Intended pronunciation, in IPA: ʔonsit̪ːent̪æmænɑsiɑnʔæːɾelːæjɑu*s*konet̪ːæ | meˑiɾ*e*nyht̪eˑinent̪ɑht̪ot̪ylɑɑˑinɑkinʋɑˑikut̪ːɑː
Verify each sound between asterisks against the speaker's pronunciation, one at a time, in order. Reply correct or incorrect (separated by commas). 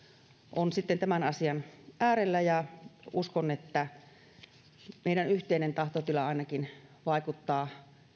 correct, incorrect